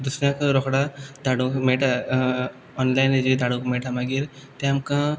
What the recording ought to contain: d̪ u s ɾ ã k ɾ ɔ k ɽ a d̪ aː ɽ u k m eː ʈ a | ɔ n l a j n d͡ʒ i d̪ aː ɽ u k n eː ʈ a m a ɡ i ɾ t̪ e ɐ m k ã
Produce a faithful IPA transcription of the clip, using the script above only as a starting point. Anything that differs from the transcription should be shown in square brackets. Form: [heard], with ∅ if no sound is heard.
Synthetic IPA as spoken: d̪ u s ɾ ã k ɾ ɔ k ɽ a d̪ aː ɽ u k m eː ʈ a | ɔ n l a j n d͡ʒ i d̪ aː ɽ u k [m] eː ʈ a m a ɡ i ɾ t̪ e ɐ m k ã